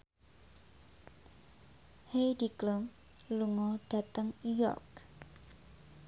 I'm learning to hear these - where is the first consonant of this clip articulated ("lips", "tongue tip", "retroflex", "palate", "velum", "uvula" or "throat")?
throat